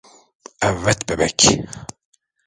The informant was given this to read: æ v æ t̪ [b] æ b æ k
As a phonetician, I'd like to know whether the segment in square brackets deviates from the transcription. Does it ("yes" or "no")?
no